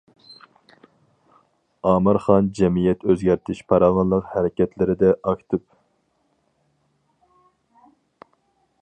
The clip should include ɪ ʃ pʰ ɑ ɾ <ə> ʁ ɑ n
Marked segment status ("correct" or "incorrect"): incorrect